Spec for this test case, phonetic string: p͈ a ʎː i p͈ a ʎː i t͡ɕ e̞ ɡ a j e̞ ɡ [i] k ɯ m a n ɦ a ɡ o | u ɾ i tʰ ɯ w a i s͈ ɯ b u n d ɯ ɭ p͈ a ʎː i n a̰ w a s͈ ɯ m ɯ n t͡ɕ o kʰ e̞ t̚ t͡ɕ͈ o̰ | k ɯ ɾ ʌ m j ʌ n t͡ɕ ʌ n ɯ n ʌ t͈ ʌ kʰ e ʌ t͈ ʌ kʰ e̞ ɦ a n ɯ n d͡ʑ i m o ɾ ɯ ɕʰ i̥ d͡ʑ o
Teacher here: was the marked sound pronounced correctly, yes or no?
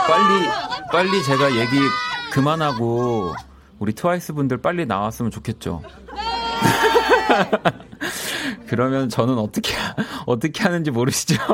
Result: yes